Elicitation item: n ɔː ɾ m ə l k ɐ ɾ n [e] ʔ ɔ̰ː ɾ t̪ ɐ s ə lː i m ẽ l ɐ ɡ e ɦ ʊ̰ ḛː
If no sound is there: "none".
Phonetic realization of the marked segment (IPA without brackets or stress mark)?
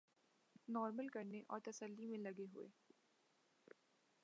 e